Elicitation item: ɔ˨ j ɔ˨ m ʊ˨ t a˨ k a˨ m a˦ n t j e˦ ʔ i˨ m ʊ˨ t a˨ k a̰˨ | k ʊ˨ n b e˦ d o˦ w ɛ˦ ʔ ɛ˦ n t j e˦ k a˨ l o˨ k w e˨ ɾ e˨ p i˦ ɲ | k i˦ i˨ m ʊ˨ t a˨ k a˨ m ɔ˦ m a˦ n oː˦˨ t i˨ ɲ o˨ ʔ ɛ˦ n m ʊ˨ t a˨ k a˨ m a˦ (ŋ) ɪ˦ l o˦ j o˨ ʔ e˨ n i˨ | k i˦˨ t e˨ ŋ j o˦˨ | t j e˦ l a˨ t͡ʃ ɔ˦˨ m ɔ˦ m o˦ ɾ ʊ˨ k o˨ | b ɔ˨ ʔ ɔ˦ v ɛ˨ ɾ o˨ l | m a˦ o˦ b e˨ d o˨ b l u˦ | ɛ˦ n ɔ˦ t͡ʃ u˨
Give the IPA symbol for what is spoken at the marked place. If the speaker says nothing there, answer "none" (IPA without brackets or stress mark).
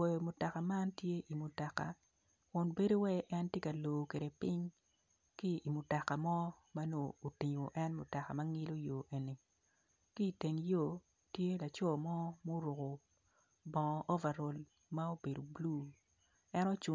ŋ